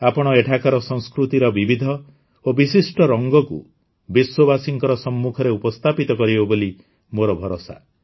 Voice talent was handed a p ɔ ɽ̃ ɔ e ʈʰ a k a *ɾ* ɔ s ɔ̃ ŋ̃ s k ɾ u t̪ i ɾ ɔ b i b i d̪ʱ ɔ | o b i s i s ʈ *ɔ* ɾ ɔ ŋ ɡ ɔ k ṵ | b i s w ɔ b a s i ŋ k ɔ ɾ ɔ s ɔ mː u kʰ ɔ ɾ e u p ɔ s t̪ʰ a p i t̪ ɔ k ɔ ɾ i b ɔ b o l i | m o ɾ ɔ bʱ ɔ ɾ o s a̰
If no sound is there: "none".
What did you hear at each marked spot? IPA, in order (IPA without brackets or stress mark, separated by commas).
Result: ɾ, ɔ